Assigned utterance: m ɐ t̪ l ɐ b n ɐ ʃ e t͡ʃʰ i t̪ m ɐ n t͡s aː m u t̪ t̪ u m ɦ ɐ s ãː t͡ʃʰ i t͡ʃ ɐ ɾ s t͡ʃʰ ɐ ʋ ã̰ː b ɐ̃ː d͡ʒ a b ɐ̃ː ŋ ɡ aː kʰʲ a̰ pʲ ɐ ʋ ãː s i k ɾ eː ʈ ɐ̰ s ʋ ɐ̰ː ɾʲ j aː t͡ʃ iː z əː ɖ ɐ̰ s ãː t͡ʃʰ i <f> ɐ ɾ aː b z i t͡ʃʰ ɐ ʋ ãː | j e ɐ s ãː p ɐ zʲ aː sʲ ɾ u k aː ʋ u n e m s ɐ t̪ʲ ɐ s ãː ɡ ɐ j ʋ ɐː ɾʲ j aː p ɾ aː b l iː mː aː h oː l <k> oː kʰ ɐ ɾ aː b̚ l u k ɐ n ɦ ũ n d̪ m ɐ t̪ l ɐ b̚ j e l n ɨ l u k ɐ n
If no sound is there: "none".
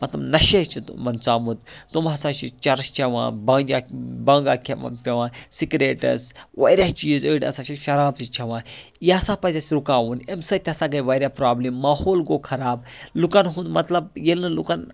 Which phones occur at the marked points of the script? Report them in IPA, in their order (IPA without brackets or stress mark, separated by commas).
ʃ, ɡ